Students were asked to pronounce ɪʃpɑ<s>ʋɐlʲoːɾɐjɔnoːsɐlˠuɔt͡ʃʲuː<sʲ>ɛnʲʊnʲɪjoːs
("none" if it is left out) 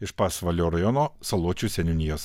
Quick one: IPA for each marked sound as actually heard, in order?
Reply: s, sʲ

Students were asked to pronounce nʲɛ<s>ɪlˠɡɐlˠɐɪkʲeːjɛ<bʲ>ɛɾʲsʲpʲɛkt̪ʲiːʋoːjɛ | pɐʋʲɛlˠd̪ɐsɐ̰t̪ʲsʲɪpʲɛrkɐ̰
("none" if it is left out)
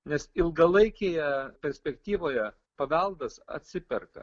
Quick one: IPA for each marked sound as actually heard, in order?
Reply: s, pʲ

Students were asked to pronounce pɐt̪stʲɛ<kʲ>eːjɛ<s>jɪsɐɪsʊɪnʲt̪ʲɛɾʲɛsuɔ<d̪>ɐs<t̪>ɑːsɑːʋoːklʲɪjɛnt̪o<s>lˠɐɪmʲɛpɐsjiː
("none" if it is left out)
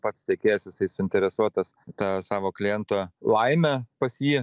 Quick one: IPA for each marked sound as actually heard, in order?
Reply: kʲ, s, t̪, t̪, none

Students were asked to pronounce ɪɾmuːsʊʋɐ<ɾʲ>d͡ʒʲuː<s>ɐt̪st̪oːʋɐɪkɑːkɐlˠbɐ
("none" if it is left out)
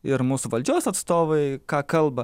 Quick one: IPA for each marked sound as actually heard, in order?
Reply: lʲ, s

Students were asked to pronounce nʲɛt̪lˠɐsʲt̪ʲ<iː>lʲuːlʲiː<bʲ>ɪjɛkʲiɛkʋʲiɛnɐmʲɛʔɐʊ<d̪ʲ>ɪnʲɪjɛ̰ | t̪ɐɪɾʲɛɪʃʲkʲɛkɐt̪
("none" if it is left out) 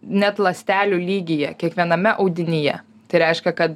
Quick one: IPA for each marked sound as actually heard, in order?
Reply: æː, ɡʲ, d̪ʲ

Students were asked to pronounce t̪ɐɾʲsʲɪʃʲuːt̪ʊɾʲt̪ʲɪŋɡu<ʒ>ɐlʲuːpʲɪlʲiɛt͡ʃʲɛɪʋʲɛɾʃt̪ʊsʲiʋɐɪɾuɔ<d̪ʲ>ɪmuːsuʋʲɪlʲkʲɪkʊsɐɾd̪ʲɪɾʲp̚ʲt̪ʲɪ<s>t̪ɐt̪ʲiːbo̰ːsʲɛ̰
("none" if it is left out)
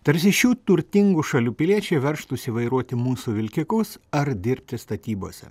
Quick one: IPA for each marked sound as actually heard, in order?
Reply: ʃ, t̪ʲ, s

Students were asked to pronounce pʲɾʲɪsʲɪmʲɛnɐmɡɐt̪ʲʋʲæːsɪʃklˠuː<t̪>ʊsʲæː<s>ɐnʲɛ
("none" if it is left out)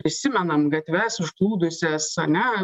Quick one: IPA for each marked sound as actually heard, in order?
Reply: d̪, s

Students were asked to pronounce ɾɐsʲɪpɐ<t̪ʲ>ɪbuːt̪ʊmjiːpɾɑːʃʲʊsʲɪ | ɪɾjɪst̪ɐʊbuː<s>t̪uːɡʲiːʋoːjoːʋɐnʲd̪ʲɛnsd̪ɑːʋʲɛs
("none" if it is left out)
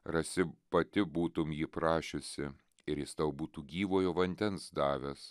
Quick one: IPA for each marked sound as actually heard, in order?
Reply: t̪ʲ, none

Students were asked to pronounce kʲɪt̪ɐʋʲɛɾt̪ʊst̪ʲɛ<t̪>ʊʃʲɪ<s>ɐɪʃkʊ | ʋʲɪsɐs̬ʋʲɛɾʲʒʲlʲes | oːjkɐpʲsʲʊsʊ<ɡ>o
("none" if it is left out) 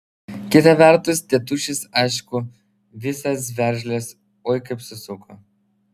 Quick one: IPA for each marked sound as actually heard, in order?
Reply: t̪, s, k

